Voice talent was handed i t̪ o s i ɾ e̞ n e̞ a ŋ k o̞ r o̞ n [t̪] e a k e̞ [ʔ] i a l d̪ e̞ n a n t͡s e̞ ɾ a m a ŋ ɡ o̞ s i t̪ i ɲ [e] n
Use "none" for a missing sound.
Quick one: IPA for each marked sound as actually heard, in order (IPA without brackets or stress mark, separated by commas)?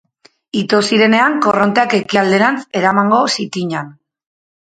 t̪, k, a